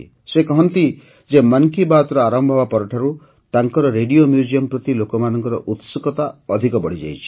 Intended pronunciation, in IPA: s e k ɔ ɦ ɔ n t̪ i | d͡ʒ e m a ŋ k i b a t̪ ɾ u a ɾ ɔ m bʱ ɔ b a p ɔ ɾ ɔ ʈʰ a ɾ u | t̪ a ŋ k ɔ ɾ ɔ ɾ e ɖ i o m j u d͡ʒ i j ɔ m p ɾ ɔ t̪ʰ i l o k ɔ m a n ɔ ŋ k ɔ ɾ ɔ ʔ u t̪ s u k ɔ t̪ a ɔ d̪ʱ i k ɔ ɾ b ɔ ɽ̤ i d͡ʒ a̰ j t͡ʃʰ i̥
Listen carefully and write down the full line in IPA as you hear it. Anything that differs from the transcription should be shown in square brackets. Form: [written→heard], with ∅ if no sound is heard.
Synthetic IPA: s e k ɔ ɦ ɔ n t̪ i | d͡ʒ e m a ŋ k i b a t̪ ɾ [u→ɔ] a ɾ ɔ m bʱ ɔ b a p ɔ ɾ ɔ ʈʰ a ɾ u | t̪ a ŋ k ɔ ɾ ɔ ɾ e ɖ i o m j u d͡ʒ i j ɔ m p ɾ ɔ [t̪ʰ→t̪] i l o k ɔ m a n ɔ ŋ k ɔ ɾ ɔ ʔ u t̪ s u k ɔ t̪ a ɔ d̪ʱ i k ɔ [ɾ→∅] b ɔ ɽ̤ i d͡ʒ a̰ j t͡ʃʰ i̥